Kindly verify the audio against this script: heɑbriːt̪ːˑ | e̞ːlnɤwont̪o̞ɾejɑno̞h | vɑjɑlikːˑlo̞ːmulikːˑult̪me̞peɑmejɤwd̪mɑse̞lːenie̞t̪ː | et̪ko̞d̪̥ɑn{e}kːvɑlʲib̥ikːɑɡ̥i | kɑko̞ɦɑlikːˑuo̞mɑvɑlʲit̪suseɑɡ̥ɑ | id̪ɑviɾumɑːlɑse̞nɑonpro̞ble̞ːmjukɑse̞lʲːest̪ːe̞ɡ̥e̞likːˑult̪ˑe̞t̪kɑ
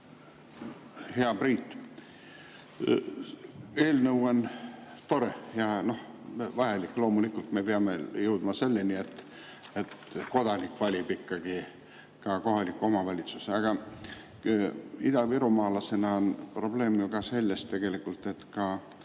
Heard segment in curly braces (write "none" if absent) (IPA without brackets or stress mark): i